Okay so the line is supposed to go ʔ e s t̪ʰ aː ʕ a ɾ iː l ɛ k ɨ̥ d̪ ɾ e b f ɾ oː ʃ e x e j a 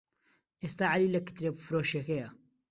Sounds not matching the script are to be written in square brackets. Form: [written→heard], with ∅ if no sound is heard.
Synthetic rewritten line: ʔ e s [t̪ʰ→t̪] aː ʕ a [ɾ→l] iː l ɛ k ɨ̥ [d̪→t̪] ɾ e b f ɾ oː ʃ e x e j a